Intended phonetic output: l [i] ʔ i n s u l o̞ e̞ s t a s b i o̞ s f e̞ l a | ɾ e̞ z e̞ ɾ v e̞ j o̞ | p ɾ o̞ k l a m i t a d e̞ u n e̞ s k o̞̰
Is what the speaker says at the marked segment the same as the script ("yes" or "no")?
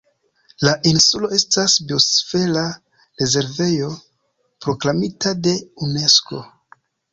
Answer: no